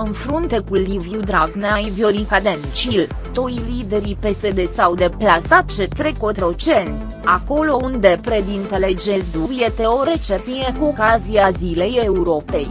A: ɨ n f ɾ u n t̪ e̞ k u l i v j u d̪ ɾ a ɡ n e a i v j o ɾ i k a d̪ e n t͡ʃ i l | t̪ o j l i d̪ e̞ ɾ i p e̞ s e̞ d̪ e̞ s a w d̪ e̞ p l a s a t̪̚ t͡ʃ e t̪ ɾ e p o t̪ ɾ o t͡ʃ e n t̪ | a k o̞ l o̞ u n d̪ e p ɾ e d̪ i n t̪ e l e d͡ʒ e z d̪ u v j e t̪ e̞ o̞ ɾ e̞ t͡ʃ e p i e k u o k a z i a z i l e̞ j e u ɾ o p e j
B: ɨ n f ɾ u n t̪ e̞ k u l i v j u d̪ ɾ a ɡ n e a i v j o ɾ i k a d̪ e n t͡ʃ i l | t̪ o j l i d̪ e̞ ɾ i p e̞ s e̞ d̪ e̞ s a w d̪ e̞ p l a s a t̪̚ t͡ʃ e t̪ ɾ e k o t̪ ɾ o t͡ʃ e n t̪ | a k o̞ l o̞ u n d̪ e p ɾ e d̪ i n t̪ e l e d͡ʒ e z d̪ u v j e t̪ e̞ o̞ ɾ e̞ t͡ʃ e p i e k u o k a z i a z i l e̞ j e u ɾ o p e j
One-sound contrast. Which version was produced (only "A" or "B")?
B